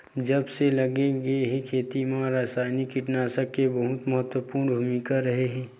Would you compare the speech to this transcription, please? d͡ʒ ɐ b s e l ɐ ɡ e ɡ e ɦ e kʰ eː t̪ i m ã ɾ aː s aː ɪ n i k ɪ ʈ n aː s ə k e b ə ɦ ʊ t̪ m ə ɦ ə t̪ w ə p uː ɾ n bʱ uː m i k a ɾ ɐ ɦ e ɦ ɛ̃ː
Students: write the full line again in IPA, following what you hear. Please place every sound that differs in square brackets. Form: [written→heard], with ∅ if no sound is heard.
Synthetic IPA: d͡ʒ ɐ b s e l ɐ ɡ e ɡ e ɦ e kʰ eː t̪ i m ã ɾ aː s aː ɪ n i k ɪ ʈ n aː s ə k e b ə ɦ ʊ t̪ m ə ɦ ə t̪ w ə p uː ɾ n bʱ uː m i k a ɾ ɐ ɦ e ɦ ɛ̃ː

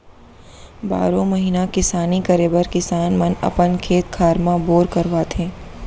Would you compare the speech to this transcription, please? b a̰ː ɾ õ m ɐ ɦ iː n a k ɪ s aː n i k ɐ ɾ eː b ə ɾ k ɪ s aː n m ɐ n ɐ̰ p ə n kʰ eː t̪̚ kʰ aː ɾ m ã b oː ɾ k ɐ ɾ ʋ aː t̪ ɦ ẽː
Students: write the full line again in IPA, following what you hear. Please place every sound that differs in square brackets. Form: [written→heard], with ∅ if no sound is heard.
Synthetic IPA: b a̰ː ɾ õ m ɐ ɦ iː n a k ɪ s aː n i k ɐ ɾ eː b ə ɾ k ɪ s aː n m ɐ n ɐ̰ p ə n kʰ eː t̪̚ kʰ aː ɾ m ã b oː ɾ k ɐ ɾ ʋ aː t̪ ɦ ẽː

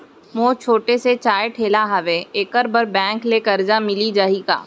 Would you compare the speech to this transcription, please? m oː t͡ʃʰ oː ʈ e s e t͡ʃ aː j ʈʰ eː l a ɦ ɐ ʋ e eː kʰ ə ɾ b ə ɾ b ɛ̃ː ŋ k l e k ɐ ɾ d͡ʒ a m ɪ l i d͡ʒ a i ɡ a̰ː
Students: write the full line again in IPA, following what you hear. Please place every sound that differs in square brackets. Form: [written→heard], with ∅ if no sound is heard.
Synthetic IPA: m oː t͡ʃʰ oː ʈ e s e t͡ʃ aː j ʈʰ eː l a ɦ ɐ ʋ e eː [kʰ→k] ə ɾ b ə ɾ b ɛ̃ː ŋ k l e k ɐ ɾ d͡ʒ a m ɪ l i d͡ʒ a i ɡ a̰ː

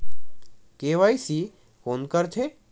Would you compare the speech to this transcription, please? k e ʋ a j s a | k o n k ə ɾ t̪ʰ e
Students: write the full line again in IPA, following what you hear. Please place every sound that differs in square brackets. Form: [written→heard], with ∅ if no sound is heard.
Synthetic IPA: k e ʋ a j s [a→i] | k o n k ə ɾ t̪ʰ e

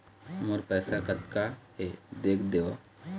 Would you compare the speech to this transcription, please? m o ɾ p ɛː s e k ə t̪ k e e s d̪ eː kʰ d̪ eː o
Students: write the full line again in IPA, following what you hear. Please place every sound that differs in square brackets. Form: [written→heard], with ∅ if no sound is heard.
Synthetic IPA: m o ɾ p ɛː s [e→a] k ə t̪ k [e→a] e [s→∅] d̪ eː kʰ d̪ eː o

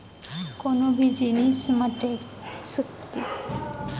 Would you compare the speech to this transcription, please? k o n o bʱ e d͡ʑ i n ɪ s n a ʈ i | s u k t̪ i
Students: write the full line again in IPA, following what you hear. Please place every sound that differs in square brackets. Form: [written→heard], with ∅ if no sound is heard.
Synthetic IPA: k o n o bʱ [e→i] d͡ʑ i n [ɪ→i] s [n→m] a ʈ [i→e] | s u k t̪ i

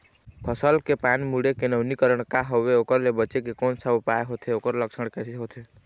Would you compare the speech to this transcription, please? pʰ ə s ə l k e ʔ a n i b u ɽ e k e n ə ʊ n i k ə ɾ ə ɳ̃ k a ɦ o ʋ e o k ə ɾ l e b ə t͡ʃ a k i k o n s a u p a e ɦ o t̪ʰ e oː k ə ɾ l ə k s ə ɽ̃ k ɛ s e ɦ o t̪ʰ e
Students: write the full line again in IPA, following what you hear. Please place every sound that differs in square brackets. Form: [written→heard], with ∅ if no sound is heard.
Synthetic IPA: pʰ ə s ə l k e [ʔ→p] a n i [b→m] u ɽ e k e n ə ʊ n i k ə ɾ ə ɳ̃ k a ɦ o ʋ e o k ə ɾ l e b ə t͡ʃ [a→e] k [i→e] k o n s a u p a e ɦ o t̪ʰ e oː k ə ɾ l ə k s ə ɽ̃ k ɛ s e ɦ o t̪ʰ e

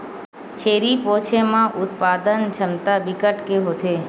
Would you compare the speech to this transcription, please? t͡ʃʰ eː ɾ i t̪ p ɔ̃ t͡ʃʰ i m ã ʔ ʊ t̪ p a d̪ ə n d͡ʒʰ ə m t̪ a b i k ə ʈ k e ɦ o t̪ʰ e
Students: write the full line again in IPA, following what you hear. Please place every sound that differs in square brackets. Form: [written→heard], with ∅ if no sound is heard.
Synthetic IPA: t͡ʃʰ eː ɾ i [t̪→∅] p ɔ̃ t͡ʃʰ [i→e] m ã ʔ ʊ t̪ p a d̪ ə n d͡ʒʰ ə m t̪ a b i k ə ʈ k e ɦ o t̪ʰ e

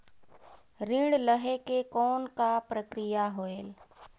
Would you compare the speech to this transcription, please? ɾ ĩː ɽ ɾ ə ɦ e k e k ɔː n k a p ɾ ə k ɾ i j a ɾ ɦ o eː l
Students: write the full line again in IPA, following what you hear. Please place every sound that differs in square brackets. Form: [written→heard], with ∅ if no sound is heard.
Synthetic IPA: ɾ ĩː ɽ [ɾ→l] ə ɦ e k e k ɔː n k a p ɾ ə k ɾ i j a [ɾ→∅] ɦ o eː l

